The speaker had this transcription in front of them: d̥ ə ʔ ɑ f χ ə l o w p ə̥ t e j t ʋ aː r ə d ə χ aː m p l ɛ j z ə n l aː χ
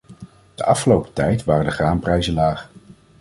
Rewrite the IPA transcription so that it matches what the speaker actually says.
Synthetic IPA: d̥ ə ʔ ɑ f χ ə l o w p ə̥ t ɛ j t ʋ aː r ə d ə χ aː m p r ɛ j z ə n l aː χ